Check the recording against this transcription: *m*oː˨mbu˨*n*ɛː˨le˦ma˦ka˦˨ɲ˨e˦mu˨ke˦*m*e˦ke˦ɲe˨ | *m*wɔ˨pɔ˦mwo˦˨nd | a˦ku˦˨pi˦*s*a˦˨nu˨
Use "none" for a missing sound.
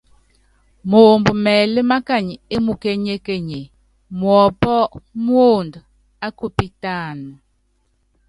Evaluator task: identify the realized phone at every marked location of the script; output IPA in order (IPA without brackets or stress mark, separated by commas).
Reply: m, m, ɲ, m, t